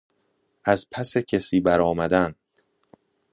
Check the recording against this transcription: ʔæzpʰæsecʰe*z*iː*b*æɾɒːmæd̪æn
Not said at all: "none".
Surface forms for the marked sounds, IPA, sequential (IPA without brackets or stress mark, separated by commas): s, b